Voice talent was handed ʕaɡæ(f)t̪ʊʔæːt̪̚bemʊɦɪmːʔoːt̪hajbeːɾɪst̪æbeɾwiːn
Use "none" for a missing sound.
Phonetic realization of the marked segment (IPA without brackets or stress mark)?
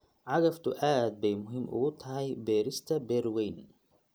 f